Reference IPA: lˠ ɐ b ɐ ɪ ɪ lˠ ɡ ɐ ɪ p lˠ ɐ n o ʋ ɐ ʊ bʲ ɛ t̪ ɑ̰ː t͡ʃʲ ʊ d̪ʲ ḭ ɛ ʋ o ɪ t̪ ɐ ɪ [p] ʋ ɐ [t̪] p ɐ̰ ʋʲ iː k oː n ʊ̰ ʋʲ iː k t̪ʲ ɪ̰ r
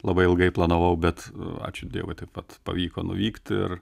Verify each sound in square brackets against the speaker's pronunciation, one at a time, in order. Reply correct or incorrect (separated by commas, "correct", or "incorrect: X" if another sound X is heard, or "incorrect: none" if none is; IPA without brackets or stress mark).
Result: correct, correct